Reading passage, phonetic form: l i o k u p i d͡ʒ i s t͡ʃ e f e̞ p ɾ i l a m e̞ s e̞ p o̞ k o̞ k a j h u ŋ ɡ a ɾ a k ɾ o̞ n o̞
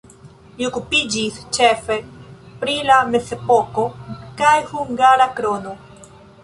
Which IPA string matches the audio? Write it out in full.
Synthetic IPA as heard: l i o k u p i d͡ʒ i s t͡ʃ e f e̞ p ɾ i l a m e̞ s e̞ p o̞ k o̞ k a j h u ŋ ɡ a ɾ a k ɾ o̞ n o̞